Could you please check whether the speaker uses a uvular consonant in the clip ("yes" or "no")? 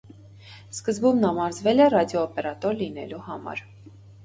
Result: no